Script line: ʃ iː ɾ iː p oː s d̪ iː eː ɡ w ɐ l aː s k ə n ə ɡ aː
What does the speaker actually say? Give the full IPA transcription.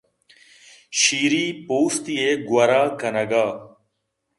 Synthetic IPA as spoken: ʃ iː ɾ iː p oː s t̪ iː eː ɡ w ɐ ɾ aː k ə n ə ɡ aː

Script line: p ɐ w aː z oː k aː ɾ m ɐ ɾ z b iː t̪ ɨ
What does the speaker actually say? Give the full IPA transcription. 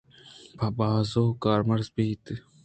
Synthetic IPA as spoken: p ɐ b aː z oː k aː ɾ m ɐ ɾ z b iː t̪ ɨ

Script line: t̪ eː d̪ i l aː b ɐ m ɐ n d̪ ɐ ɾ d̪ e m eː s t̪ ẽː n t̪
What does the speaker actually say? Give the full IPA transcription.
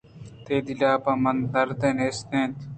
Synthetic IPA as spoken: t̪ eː d̪ i l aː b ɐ m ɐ n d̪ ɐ ɾ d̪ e n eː s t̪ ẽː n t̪

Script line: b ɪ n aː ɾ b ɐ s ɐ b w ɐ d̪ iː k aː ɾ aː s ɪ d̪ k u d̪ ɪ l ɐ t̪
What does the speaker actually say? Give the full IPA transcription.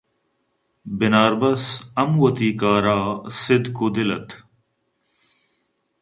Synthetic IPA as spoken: b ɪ n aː ɾ b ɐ s ɐ m w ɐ t̪ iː k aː ɾ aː s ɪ d̪ k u d̪ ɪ l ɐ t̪

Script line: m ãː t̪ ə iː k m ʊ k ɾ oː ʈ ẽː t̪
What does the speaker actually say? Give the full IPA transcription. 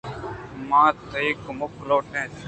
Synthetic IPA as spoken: m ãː t̪ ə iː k m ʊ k l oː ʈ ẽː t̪

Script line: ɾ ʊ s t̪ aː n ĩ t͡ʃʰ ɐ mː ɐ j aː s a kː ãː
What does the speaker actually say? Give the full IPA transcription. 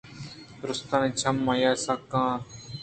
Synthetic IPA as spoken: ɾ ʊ s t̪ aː n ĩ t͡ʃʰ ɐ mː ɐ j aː s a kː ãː

